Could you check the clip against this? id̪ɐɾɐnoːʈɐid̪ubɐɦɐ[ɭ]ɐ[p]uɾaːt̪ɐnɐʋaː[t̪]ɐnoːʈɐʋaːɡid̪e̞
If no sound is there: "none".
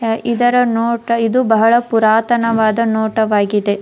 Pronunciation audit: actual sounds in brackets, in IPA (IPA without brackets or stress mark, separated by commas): ɭ, p, d̪